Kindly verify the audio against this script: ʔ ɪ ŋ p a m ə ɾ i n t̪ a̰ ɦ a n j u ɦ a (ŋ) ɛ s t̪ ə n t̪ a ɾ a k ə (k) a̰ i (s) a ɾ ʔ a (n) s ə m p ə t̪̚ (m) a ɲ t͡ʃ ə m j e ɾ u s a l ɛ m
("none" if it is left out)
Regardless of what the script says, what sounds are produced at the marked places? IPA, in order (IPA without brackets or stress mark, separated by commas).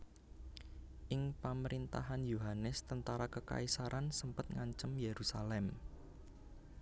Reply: n, k, s, n, ŋ